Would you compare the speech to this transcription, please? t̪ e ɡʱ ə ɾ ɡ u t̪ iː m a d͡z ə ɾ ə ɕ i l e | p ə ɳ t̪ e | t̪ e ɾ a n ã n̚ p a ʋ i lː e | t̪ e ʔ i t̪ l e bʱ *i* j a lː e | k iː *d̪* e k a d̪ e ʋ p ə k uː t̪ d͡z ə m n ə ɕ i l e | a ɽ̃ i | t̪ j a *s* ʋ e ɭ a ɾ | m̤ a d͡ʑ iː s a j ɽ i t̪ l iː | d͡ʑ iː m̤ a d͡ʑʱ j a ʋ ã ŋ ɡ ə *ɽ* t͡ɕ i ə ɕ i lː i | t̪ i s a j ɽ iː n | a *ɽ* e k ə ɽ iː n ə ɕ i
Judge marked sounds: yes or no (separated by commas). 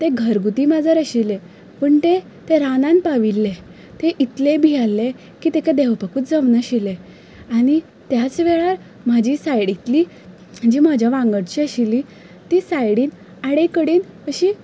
yes, no, no, yes, yes